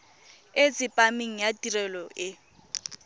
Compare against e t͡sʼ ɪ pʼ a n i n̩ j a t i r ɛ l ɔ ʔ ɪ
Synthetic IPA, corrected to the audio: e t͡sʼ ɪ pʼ a m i ŋ̩ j a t i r ɛ l ɔ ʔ ɪ